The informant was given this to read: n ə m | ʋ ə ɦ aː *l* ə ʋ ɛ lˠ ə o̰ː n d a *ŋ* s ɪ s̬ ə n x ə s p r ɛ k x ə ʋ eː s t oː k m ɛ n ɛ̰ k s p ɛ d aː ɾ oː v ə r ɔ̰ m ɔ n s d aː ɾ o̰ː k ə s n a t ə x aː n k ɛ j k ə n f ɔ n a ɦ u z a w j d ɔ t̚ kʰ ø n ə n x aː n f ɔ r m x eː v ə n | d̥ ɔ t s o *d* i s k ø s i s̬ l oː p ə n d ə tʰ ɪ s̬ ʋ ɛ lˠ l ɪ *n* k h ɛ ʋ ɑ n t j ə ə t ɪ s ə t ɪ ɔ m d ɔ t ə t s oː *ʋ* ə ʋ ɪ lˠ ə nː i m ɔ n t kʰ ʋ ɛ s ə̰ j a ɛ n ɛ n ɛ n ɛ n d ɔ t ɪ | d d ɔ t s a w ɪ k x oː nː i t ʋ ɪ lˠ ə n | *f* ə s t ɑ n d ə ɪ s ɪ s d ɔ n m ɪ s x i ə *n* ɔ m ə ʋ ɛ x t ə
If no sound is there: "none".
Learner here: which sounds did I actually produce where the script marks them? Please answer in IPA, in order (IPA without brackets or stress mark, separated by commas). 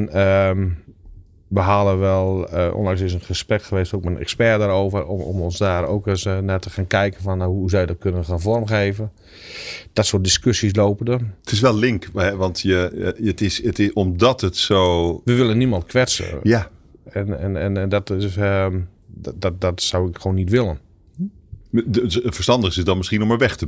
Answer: l, ŋ, d, ŋ, ʋ, f, n